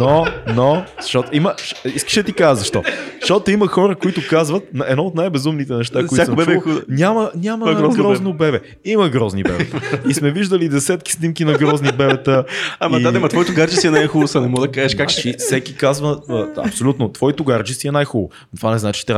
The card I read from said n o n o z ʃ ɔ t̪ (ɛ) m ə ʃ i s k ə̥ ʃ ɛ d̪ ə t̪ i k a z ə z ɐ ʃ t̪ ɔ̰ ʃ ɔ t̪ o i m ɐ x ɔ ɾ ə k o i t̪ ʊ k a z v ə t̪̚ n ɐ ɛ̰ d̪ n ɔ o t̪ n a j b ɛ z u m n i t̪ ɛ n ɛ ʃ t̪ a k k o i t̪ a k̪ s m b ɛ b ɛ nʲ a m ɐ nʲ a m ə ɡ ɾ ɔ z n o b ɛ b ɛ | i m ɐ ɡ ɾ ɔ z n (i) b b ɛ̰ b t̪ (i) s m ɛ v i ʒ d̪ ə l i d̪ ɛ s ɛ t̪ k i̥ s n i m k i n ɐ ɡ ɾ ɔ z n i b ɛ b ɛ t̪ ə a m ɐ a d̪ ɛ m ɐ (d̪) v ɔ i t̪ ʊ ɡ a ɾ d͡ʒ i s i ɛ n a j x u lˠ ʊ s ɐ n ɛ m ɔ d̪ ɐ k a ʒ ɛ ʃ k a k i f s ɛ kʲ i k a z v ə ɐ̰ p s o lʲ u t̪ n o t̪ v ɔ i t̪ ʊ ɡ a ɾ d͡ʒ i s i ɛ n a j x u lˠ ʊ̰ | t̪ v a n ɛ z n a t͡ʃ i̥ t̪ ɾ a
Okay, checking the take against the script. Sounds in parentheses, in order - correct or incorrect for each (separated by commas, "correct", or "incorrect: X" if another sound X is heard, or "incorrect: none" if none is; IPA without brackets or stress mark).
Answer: incorrect: i, correct, correct, incorrect: t̪